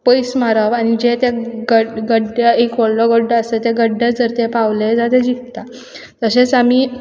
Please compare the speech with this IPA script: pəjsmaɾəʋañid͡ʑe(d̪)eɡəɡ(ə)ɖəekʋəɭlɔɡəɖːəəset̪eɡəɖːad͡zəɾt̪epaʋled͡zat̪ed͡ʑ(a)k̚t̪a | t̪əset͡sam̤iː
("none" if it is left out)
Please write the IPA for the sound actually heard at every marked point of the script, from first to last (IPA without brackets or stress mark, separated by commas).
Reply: t̪, ə, i